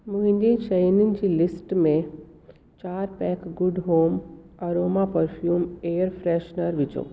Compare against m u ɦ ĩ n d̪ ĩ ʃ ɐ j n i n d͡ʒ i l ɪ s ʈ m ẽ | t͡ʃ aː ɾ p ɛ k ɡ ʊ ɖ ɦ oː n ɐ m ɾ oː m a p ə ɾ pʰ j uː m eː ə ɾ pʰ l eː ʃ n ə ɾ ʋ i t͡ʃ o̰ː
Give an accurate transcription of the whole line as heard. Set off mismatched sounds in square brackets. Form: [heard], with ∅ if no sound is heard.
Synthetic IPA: m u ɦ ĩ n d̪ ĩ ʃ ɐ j n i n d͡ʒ i l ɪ s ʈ m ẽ | t͡ʃ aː ɾ p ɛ k ɡ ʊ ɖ ɦ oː [m] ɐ [∅] ɾ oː m a p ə ɾ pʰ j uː m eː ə ɾ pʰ [ɾ] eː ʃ n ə ɾ ʋ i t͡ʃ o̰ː